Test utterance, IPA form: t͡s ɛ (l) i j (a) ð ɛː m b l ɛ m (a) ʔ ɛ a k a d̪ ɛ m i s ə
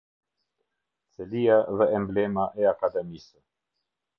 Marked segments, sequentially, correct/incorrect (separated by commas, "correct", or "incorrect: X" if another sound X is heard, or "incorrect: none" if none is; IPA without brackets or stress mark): correct, correct, correct